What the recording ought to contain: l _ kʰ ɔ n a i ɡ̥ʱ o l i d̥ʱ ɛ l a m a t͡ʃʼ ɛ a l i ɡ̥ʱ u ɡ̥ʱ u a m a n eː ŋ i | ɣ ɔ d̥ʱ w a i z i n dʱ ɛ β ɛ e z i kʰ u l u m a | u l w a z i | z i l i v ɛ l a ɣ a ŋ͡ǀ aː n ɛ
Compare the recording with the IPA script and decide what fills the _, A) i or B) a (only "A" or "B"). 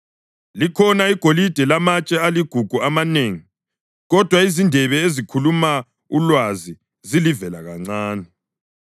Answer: A